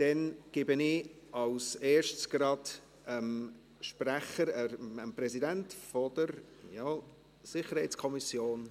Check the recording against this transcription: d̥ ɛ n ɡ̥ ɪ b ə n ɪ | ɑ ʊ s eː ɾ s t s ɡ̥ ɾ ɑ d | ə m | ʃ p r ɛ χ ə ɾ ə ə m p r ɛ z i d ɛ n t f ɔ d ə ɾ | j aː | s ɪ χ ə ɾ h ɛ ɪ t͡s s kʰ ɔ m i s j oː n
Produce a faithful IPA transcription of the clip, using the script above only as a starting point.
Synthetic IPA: d̥ ɛ n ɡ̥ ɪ b ə n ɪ | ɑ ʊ s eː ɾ ʃ t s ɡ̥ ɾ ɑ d | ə m | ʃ p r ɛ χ ə ɾ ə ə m p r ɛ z i d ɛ n t f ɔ d ə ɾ | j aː | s ɪ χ ə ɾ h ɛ ɪ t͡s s kʰ ɔ m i s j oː n